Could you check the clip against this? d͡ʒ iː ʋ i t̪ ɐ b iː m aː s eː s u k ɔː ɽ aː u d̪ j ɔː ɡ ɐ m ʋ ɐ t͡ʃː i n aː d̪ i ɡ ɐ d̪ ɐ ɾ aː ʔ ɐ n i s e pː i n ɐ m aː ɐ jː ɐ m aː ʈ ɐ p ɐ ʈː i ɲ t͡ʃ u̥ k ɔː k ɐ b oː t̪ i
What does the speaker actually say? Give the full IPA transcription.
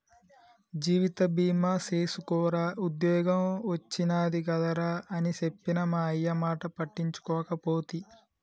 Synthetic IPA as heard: d͡ʒ iː ʋ i t̪ ɐ b iː m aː s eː s u k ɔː ɾ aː u d̪ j ɔː ɡ ɐ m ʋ ɐ t͡ʃː i n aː d̪ i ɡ ɐ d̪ ɐ ɾ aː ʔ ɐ n i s e pː i n ɐ m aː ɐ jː ɐ m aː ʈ ɐ p ɐ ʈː i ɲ t͡ʃ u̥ k ɔː k ɐ p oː t̪ i